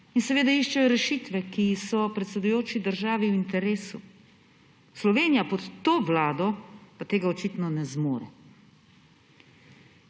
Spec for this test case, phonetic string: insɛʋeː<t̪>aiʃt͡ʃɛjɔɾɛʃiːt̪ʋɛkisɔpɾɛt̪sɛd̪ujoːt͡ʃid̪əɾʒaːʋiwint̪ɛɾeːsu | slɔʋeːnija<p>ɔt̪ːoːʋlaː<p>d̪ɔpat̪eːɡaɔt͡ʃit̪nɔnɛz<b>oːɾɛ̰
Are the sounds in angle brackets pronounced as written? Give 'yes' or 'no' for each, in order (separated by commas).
no, yes, no, no